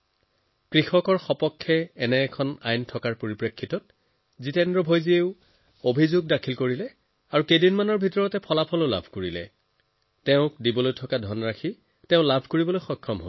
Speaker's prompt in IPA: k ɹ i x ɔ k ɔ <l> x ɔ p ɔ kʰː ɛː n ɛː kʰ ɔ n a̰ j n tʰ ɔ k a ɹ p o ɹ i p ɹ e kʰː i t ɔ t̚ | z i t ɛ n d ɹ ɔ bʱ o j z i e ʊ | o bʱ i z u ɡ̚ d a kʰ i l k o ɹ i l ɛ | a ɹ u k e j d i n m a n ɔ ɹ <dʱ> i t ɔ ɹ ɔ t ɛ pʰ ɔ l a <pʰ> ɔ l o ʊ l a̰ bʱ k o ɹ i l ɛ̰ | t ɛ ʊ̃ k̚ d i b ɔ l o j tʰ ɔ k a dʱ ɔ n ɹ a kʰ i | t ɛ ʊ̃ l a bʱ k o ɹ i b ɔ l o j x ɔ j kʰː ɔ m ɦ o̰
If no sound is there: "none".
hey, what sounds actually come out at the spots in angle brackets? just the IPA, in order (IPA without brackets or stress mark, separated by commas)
ɹ, bʱ, pʰ